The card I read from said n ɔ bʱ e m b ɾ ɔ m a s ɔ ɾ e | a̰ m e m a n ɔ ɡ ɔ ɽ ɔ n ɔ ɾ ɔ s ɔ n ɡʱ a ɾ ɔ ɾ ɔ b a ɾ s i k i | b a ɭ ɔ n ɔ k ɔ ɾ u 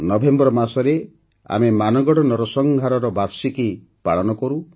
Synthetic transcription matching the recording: n ɔ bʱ e m b ɾ ɔ m a s ɔ ɾ e | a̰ m e m a n ɔ ɡ ɔ ɽ ɔ n ɔ ɾ ɔ s ɔ ŋ ɡʱ a ɾ ɔ ɾ ɔ b a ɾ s i k i | p a ɭ ɔ n ɔ k ɔ ɾ u